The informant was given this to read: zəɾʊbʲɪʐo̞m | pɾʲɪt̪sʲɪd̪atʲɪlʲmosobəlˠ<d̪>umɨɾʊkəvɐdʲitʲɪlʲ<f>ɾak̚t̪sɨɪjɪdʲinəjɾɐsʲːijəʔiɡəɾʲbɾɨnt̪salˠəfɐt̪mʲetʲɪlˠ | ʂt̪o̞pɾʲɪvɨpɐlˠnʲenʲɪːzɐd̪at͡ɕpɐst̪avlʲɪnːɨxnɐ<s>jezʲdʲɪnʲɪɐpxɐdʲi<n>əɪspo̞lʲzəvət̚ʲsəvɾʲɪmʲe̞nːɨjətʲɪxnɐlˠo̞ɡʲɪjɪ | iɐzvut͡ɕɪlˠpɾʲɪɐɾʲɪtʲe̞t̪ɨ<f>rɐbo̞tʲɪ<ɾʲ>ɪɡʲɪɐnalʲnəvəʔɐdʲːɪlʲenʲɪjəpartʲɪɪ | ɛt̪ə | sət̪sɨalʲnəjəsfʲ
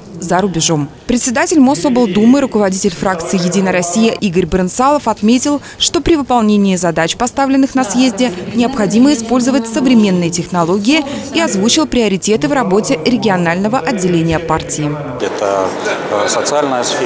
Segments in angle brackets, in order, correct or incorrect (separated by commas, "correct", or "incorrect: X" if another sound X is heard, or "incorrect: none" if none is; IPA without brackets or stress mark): correct, correct, correct, incorrect: m, incorrect: v, correct